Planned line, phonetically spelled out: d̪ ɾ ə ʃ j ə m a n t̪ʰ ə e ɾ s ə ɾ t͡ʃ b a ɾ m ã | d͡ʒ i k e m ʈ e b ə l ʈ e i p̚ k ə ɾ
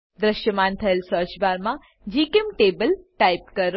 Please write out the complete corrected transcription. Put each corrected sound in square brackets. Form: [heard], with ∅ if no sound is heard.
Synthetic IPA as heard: d̪ ɾ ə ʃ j ə m a n t̪ʰ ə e [l] s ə ɾ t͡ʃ b a ɾ m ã | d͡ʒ i k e m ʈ e b ə l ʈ [a] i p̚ k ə ɾ